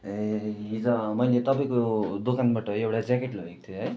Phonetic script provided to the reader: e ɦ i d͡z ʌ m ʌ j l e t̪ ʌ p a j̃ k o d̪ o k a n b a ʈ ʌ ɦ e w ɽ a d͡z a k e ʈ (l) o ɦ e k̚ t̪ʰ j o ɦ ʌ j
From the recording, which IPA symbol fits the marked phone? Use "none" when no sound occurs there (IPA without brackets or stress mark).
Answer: l